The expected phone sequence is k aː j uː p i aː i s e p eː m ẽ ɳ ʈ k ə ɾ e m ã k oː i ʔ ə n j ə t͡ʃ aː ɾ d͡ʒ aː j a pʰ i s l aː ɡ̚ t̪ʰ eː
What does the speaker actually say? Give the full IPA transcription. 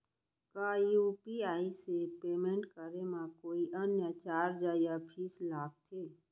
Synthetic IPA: k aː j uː p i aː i s e p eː m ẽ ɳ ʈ k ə ɾ e m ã k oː i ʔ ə n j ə t͡ʃ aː ɾ d͡ʒ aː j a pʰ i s l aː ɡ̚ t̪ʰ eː